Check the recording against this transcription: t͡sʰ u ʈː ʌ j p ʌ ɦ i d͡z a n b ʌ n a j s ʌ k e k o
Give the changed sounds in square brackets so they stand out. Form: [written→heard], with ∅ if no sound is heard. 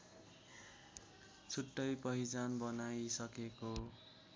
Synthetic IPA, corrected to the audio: t͡sʰ u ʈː ʌ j p ʌ ɦ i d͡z a n b ʌ n a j s ʌ k e k o